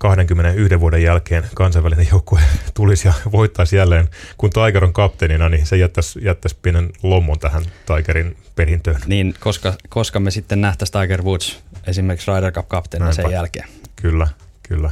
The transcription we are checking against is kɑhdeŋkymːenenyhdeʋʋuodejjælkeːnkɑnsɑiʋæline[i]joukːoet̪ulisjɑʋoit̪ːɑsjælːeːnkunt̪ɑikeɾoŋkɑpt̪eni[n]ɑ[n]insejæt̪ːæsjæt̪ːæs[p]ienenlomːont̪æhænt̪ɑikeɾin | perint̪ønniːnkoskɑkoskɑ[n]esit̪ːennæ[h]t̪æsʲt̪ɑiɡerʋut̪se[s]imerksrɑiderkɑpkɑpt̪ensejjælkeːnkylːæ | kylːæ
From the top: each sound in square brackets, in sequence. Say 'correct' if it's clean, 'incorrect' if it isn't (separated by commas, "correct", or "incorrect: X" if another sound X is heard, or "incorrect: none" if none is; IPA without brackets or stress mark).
incorrect: j, correct, correct, correct, incorrect: m, correct, correct